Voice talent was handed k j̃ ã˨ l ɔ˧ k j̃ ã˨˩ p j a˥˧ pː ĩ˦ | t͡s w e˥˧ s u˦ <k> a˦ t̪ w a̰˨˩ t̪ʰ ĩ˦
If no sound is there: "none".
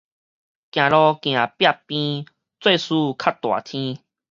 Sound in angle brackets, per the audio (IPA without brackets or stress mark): kʰ